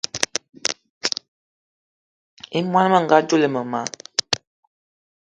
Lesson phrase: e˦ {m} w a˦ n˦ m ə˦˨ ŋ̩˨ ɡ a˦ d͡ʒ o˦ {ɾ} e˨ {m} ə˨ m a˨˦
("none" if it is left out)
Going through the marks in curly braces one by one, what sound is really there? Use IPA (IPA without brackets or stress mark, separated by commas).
m, l, m